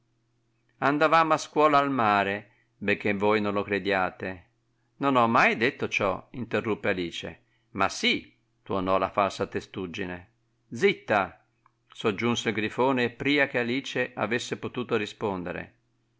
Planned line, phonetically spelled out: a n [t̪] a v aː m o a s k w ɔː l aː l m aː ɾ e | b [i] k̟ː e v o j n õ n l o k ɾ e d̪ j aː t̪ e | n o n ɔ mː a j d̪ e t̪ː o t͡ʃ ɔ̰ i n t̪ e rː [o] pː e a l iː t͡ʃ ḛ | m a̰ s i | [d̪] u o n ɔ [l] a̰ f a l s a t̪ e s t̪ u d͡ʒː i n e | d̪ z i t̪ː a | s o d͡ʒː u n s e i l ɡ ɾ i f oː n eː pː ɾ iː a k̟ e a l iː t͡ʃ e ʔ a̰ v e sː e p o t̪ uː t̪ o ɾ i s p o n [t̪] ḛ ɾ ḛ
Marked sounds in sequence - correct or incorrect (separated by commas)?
incorrect, incorrect, incorrect, incorrect, correct, incorrect